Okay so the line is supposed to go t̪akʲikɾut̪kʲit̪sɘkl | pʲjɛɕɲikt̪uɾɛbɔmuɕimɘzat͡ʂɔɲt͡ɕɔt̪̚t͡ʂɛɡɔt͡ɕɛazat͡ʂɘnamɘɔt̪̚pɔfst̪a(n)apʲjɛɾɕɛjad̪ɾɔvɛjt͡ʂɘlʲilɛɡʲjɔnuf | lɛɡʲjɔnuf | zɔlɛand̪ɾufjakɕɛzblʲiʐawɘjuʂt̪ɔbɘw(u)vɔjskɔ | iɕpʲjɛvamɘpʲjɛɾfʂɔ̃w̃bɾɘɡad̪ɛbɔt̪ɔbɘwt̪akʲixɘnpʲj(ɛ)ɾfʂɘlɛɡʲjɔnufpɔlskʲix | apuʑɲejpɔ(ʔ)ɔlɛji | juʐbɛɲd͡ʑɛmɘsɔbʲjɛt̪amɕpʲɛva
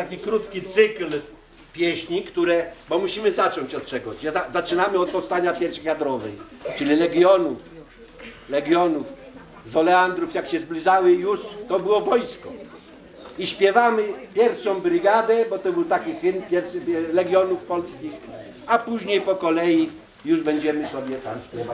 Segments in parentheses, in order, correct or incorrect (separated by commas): incorrect, incorrect, correct, incorrect